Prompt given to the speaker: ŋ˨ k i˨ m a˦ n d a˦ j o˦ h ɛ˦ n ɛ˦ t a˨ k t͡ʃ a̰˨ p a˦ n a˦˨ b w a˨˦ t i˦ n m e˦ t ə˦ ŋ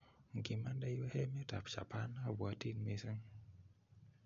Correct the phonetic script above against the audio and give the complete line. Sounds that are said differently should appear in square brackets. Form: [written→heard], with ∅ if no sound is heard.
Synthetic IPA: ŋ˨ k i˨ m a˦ n d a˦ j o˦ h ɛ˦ [n→m] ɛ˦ t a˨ [k→p] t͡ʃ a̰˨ p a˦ n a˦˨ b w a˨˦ t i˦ n m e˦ [t→s] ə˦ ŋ

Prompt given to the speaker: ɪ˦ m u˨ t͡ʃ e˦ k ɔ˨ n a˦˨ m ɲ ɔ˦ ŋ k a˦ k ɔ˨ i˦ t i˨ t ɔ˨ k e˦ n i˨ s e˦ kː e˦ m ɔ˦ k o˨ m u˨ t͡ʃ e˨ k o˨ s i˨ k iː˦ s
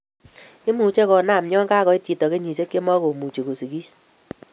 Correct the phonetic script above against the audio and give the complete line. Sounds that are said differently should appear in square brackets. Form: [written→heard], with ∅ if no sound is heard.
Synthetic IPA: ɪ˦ m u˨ t͡ʃ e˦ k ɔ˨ n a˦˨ m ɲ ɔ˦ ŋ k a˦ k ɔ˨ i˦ t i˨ t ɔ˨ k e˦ [n→ɲ] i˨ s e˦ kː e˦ m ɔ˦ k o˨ m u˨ t͡ʃ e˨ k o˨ s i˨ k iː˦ s

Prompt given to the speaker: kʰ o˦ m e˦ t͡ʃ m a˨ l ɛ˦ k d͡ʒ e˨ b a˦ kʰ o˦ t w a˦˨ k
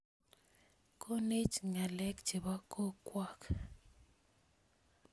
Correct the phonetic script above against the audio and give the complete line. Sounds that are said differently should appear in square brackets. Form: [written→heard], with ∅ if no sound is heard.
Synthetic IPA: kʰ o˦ [m→n] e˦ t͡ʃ [m→ŋ] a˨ l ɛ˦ k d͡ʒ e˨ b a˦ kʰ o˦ [t→k] w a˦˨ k

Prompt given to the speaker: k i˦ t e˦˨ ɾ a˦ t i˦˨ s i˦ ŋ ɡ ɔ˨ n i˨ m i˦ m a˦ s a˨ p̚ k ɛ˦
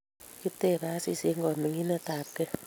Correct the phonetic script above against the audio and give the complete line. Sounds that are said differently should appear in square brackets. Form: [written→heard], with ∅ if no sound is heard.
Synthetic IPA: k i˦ t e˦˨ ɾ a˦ [t→s] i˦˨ s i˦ ŋ ɡ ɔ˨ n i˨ [m→ŋ] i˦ [m→n] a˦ [s→t] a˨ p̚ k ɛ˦

